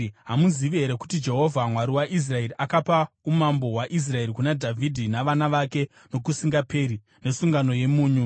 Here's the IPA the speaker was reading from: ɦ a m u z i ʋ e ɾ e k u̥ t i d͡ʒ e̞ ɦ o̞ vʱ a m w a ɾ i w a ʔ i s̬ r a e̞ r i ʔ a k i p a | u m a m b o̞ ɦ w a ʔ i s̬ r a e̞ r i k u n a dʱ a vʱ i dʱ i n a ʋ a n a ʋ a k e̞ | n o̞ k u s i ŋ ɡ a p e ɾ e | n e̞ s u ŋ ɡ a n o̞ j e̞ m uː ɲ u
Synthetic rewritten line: ɦ a m u z i ʋ e ɾ e k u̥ t i d͡ʒ e̞ ɦ o̞ vʱ a m w a ɾ i w a ʔ i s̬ r a e̞ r i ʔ a k a p a | u m a m b o̞ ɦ w a ʔ i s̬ r a e̞ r i k u n a dʱ a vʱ i dʱ i n a ʋ a n a ʋ a k e̞ | n o̞ k u s i ŋ ɡ a p e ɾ i | n e̞ s u ŋ ɡ a n o̞ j e̞ m uː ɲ u